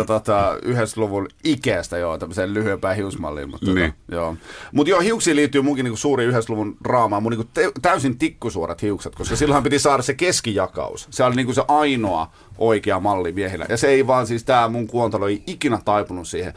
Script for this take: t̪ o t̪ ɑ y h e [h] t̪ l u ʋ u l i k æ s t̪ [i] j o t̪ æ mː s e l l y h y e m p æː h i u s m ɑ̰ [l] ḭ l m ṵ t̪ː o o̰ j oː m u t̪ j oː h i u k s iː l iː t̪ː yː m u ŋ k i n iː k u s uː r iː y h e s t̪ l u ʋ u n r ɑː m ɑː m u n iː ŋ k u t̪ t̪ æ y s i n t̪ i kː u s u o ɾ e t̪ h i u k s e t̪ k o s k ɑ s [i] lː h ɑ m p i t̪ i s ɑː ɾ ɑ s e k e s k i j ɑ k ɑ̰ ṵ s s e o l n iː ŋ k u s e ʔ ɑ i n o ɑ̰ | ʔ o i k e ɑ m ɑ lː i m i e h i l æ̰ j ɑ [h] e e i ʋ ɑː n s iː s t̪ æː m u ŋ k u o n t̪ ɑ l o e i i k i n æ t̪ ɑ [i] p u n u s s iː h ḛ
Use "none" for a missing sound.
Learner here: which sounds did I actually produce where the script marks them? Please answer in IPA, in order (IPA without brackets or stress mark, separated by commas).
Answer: s, æ, lː, i, s, i